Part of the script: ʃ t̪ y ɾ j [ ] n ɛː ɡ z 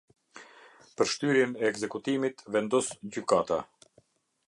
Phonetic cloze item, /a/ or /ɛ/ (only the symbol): ɛ